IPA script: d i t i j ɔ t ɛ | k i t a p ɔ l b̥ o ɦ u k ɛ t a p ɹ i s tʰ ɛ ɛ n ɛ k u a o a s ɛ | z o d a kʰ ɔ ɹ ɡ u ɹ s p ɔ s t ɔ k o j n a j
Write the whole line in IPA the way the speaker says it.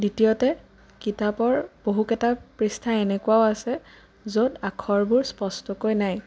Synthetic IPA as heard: d i t i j ɔ t ɛ | k i t a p ɔ ɹ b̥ o ɦ u k ɛ t a p ɹ i s tʰ a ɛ n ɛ k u a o a s ɛ | z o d a kʰ ɔ ɹ b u ɹ s p ɔ s t ɔ k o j n a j

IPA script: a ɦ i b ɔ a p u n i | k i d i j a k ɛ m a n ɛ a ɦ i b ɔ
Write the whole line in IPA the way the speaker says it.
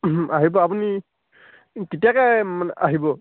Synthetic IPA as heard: a ɦ i b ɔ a p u n i | k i t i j a k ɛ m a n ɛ a ɦ i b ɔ

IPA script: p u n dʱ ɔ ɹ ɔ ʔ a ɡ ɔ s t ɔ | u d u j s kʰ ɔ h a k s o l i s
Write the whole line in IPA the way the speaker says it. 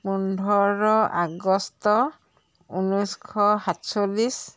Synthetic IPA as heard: p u n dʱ ɔ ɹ ɔ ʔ a ɡ ɔ s t ɔ | u n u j s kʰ ɔ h a t s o l i s

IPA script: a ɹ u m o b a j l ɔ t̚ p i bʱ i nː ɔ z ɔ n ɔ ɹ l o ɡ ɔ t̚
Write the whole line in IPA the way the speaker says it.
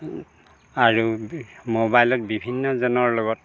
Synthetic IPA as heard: a ɹ u m o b a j l ɔ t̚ b i bʱ i nː ɔ z ɔ n ɔ ɹ l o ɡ ɔ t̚

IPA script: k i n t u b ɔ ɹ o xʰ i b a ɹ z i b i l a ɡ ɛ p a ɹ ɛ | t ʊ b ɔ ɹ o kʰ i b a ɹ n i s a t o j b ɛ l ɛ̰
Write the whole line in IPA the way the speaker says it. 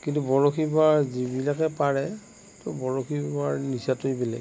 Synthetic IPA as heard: k i n t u b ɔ ɹ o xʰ i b a ɹ z i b i l a k ɛ p a ɹ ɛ | t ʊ b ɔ ɹ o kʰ i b a ɹ n i s a t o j b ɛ l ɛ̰

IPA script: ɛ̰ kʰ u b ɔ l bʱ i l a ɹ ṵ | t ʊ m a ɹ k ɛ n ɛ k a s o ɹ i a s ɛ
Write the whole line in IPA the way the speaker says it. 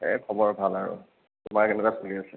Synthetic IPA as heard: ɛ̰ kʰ ɔ b ɔ ɹ bʱ a l a ɹ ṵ | t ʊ m a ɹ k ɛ n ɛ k a s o l i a s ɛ

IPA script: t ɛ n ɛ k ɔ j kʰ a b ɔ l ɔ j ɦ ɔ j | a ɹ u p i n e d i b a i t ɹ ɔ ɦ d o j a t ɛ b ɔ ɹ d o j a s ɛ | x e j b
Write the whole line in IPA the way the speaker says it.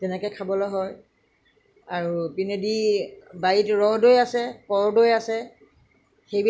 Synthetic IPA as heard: t ɛ n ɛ k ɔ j kʰ a b ɔ l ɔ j ɦ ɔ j | a ɹ u p i n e d i b a i t ɹ ɔ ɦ d o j a s ɛ p ɔ ɹ d o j a s ɛ | x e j b

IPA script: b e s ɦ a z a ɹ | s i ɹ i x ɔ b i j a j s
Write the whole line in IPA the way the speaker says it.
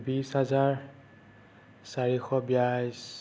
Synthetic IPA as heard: b i s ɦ a z a ɹ | s a ɹ i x ɔ b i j a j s

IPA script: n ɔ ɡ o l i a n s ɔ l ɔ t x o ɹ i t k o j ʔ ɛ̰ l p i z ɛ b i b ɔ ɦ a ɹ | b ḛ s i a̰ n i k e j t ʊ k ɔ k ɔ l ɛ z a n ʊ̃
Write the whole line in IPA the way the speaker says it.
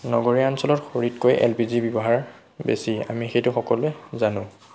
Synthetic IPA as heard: n ɔ ɡ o ɹ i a n s ɔ l ɔ t x o ɹ i t k o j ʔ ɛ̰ l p i z i b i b ɔ ɦ a ɹ | b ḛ s i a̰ m i x e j t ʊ x ɔ k ɔ l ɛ z a n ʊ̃

